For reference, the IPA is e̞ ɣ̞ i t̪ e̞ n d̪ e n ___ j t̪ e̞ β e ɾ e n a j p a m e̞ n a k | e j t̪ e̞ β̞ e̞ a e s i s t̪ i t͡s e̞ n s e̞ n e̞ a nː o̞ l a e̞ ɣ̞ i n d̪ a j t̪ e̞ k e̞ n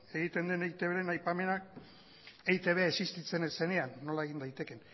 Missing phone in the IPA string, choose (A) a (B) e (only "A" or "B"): B